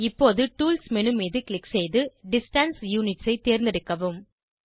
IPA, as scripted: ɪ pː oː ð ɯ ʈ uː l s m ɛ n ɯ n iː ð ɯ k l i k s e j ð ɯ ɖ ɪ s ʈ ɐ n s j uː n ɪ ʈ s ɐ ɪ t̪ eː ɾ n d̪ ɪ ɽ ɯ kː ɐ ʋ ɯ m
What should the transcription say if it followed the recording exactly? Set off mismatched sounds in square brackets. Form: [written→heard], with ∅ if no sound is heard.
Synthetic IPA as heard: ɪ pː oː ð ɯ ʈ uː l s m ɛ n ɯ [n→m] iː ð ɯ k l [i→ɪ] k s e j ð ɯ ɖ ɪ s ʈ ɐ n s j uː n ɪ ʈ s ɐ ɪ t̪ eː ɾ n d̪ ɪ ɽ ɯ kː ɐ ʋ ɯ m